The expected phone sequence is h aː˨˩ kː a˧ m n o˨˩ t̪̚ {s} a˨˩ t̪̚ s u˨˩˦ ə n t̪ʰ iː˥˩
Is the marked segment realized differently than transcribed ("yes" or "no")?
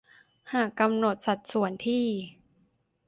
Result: no